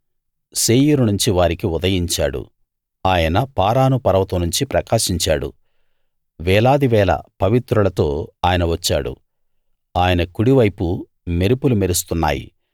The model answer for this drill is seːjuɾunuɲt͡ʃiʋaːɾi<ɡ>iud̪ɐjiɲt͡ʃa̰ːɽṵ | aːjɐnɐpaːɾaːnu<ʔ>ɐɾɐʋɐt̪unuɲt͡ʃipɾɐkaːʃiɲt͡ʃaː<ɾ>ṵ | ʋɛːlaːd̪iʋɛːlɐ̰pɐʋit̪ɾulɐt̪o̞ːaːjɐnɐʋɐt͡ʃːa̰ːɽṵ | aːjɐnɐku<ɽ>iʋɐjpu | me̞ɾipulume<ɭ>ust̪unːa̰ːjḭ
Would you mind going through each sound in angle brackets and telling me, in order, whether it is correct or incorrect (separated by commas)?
incorrect, incorrect, incorrect, correct, incorrect